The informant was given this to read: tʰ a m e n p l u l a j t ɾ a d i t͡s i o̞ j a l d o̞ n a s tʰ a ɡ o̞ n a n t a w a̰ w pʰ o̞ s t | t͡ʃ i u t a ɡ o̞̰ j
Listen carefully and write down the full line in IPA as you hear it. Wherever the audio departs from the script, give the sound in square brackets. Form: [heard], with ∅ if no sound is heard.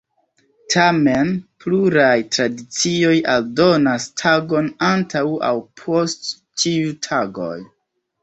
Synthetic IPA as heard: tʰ a m e n p l u [ɾ] a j t ɾ a d i t͡s i o̞ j a l d o̞ n a s tʰ a ɡ o̞ n a n t a w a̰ w pʰ o̞ s t | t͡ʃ i u [tʰ] a ɡ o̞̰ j